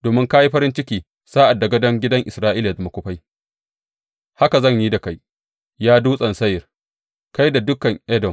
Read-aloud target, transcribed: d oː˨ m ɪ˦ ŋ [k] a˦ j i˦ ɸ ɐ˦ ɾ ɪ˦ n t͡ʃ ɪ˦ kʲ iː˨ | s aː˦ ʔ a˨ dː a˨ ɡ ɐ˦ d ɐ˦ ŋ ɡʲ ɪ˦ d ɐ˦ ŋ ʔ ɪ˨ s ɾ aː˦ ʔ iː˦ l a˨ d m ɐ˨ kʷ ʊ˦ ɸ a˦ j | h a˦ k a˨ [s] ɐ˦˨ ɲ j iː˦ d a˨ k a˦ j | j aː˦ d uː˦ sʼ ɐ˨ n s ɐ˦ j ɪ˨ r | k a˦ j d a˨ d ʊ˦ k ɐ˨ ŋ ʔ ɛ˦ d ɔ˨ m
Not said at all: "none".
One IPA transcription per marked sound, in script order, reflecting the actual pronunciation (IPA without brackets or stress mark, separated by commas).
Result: k, z